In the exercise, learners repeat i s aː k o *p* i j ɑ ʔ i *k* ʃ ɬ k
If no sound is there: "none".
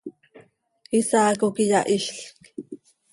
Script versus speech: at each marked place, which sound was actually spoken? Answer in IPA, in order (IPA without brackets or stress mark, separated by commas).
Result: k, none